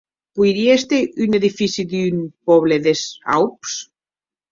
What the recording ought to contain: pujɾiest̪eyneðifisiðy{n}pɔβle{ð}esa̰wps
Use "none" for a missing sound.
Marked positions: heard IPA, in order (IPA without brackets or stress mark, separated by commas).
n, ð